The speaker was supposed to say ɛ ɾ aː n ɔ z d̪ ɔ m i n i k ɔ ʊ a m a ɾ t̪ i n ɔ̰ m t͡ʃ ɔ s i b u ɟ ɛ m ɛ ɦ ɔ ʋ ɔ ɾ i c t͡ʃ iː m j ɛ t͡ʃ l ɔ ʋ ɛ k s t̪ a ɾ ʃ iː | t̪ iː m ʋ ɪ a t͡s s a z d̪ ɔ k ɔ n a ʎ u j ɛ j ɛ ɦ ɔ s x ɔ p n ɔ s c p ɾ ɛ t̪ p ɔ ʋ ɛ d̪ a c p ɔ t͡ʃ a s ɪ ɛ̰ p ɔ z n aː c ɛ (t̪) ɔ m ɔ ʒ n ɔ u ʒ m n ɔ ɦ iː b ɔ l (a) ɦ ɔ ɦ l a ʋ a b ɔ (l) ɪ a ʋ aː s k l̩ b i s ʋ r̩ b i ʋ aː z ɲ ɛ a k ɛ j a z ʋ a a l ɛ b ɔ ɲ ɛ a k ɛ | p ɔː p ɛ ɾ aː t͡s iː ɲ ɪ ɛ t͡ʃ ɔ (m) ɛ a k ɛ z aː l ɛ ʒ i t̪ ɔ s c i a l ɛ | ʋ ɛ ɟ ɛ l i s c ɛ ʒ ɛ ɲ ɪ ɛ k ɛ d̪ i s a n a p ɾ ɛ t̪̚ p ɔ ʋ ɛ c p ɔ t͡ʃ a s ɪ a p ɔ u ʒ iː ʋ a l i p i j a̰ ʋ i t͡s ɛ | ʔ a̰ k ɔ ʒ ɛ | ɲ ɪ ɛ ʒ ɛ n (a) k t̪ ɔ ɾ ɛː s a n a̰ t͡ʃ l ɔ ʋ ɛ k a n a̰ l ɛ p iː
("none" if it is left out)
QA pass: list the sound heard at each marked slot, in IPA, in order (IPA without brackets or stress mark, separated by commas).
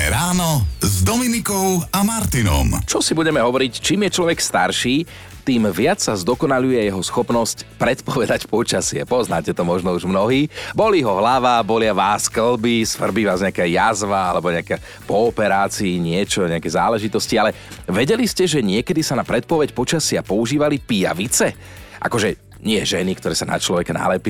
t̪, i, l, ɲ, i